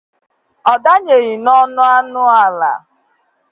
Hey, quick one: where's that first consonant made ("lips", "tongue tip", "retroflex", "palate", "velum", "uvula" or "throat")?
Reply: tongue tip